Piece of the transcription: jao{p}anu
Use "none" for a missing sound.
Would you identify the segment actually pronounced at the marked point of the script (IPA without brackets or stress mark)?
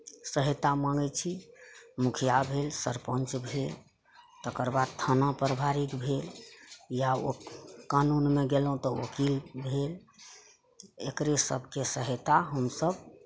k